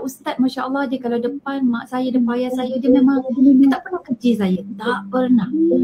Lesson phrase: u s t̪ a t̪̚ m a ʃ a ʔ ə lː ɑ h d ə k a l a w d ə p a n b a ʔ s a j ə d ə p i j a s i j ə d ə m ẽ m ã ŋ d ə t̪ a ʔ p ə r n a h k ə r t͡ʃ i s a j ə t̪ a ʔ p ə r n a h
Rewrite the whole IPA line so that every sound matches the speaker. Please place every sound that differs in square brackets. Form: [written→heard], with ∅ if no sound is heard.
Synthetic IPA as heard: u s t̪ a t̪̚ m a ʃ a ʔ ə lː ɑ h d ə k a l a w d ə p a n [b→m] a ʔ s a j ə d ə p [i→a] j a s [i→a] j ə d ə m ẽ m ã ŋ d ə t̪ a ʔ p ə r n a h k ə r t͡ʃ i s a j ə t̪ a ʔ p ə r n a h